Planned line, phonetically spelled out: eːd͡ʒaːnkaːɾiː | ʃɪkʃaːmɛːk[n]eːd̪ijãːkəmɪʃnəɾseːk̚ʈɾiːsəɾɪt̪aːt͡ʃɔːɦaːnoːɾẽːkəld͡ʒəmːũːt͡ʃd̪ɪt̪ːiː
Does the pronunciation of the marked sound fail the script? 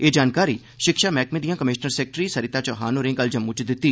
yes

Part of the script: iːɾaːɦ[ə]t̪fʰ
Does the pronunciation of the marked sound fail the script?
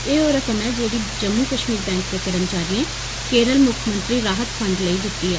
no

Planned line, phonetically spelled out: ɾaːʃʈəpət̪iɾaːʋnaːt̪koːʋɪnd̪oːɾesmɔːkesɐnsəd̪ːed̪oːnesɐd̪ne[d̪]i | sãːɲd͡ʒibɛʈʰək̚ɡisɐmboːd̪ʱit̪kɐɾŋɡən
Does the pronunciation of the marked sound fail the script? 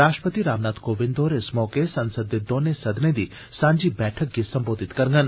no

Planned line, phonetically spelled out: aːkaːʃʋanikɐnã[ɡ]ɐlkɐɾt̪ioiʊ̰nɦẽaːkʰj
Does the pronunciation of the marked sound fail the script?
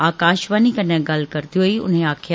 no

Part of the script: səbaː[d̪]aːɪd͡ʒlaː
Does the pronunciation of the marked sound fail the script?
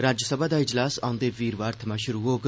no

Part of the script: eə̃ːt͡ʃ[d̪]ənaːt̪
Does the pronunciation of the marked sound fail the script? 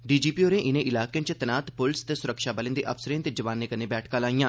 yes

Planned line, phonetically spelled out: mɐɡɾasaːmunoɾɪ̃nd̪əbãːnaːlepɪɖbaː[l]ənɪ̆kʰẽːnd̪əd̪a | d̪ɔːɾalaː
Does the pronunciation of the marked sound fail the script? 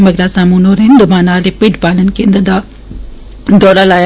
no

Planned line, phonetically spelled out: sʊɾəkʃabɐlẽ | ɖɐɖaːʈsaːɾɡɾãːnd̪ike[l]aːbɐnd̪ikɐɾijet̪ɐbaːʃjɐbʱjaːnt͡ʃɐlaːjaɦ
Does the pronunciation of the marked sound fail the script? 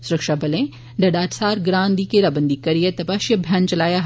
yes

